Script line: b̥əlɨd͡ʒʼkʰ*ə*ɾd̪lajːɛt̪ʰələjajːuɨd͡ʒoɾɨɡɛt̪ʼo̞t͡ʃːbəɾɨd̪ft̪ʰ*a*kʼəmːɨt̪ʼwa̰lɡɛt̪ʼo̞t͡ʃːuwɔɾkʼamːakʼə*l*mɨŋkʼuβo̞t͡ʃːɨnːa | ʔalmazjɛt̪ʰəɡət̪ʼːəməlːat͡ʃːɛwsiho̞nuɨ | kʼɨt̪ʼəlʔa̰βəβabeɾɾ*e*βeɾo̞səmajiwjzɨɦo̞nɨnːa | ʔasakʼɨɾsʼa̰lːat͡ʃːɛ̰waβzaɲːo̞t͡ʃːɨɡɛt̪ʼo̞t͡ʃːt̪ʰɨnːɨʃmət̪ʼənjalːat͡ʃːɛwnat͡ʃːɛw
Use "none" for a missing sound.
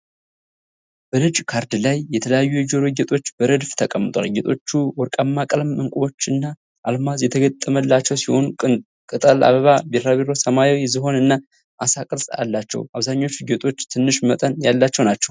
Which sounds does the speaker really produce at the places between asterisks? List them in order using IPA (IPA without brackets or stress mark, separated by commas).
a, ə, l, a